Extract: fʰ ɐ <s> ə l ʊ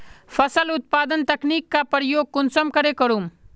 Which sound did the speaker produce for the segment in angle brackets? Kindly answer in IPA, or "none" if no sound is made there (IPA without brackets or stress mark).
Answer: s